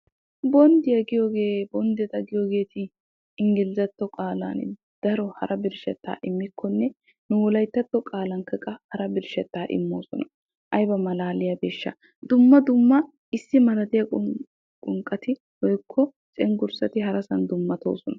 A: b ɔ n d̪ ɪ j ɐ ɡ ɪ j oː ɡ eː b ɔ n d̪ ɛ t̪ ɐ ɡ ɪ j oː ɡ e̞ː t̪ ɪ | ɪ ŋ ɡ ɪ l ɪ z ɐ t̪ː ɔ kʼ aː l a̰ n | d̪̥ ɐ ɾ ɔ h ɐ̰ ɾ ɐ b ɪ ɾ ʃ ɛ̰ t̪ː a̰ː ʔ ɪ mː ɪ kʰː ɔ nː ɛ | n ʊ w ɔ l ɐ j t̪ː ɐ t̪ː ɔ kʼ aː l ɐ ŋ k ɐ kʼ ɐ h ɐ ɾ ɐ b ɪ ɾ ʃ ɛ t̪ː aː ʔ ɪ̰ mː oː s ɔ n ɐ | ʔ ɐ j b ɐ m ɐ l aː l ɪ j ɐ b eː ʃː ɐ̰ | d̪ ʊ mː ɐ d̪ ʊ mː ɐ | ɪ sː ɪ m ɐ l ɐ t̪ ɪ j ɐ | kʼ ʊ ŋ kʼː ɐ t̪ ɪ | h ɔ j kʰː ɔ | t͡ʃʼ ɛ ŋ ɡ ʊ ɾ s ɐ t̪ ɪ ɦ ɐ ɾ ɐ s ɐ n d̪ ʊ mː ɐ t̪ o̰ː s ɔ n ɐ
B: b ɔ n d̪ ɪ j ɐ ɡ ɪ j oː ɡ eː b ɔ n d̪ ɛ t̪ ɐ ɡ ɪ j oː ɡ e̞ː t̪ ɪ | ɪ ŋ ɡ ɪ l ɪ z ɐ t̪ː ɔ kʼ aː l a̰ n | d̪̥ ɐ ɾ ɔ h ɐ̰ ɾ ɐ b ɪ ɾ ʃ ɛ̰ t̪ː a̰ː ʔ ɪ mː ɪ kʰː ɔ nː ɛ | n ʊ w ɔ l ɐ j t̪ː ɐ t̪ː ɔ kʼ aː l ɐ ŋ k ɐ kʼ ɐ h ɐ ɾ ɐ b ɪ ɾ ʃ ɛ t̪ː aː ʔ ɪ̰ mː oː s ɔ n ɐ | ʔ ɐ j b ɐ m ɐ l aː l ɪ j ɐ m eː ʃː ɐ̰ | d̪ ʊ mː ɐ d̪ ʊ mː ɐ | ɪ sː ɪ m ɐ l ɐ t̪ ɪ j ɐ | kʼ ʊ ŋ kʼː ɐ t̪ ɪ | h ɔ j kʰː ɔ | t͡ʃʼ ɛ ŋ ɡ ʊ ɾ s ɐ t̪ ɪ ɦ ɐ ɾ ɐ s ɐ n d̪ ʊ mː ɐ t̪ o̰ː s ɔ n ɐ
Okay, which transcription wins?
A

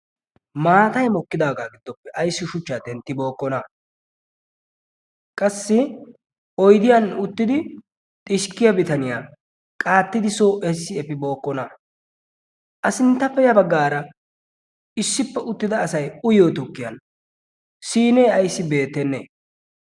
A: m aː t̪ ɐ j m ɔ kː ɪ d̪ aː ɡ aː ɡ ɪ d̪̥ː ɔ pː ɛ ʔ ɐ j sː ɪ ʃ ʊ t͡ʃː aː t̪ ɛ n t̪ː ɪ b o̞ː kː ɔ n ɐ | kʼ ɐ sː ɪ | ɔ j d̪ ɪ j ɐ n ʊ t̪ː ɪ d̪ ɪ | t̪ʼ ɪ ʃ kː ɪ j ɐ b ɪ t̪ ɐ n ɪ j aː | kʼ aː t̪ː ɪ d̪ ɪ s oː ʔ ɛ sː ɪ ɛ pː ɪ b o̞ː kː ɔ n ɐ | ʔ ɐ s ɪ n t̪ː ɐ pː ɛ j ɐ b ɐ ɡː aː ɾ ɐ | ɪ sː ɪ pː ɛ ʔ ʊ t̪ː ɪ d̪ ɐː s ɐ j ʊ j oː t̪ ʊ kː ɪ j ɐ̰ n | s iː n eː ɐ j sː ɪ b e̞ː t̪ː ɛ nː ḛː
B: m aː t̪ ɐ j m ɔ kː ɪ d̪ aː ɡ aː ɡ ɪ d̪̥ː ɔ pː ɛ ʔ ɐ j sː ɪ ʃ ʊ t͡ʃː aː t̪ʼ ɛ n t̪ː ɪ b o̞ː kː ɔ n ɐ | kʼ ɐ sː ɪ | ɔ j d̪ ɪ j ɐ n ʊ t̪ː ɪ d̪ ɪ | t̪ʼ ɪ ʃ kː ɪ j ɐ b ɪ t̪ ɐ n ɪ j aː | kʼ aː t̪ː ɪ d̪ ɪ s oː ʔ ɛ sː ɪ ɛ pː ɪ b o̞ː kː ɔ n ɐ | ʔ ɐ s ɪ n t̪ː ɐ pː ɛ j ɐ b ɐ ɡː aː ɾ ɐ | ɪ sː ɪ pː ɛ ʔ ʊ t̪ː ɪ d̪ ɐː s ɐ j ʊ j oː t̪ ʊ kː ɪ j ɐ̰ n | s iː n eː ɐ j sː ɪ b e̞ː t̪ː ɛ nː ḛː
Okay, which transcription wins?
A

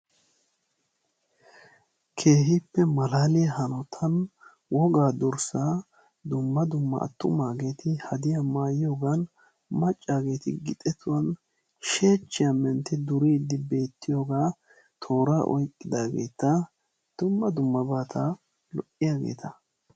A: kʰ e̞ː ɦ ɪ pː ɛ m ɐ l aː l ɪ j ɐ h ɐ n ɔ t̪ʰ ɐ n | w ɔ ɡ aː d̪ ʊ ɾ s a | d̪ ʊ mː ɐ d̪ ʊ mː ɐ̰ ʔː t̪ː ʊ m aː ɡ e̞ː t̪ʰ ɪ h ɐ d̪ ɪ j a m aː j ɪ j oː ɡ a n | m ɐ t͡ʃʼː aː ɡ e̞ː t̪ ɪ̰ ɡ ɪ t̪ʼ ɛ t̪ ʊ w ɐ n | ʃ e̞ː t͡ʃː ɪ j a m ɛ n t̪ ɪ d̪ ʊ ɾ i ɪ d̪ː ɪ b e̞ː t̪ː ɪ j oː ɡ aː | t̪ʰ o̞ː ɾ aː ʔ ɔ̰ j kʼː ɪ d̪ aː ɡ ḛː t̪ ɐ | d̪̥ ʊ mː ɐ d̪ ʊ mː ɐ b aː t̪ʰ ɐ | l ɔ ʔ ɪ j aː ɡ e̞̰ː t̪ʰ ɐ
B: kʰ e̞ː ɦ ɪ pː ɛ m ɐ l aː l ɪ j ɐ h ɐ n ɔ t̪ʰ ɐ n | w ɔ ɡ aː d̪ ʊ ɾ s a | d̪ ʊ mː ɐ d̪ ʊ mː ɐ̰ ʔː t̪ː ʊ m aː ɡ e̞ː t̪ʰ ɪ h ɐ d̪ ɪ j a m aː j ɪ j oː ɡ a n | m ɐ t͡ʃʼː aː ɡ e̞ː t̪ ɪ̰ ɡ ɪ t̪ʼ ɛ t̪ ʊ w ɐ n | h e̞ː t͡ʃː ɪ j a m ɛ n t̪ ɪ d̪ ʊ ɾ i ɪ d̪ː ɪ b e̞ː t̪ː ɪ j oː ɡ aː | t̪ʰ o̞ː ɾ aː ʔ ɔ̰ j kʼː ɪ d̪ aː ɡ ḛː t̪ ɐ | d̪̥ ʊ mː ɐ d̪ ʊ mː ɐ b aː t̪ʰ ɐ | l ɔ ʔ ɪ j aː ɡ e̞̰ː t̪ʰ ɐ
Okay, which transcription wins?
A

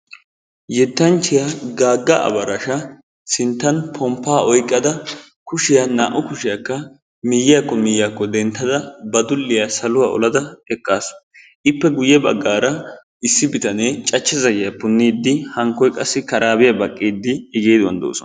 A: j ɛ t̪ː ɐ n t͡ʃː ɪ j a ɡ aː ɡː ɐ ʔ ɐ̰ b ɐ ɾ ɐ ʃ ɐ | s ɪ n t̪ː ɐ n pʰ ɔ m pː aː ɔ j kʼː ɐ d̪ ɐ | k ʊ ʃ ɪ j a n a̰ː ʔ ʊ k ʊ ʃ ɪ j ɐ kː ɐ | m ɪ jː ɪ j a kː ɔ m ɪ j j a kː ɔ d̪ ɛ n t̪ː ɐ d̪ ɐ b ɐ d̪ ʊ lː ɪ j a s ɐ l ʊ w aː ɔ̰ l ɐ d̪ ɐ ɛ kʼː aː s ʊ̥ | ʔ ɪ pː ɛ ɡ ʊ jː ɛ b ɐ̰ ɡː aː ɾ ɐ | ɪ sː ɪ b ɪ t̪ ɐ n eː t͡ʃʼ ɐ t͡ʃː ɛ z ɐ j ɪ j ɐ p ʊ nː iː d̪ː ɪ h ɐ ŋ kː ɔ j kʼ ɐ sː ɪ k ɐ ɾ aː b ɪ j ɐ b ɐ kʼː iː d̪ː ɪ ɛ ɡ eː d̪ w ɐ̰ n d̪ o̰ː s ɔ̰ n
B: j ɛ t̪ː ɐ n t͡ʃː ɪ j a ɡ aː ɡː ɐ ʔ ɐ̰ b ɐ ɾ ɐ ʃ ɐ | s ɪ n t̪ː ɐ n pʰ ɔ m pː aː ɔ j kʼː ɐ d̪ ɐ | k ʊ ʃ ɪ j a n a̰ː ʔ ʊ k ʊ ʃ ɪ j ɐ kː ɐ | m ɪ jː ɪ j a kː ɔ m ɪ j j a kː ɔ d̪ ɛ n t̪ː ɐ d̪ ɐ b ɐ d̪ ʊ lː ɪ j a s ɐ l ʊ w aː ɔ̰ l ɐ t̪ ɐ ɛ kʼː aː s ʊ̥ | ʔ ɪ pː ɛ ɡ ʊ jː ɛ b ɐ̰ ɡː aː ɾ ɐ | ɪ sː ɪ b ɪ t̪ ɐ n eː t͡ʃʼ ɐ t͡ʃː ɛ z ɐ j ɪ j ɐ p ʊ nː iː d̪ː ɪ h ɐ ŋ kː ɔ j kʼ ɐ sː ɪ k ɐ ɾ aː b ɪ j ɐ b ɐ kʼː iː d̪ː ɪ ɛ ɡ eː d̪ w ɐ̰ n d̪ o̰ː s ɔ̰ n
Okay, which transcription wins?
A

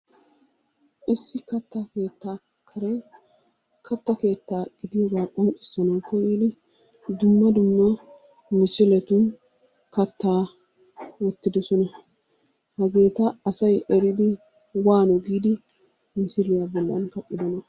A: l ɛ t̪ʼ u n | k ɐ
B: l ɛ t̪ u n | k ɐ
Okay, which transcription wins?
B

